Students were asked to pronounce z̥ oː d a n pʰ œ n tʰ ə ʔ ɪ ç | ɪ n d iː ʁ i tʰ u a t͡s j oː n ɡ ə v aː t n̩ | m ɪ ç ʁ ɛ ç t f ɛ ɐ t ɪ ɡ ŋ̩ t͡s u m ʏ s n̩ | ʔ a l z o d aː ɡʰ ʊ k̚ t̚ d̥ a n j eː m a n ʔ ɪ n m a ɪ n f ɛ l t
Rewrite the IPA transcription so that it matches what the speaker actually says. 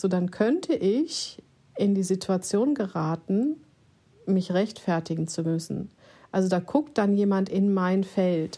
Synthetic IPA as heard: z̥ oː d a n kʰ œ n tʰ ə ʔ ɪ ç | ɪ n d iː z i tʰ u a t͡s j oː n ɡ ə ʁ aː t n̩ | m ɪ ç ʁ ɛ ç t f ɛ ɐ t ɪ ɡ ŋ̩ t͡s u m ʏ s n̩ | ʔ a l z o d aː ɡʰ ʊ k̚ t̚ d̥ a n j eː m a n t ɪ n m a ɪ n f ɛ l t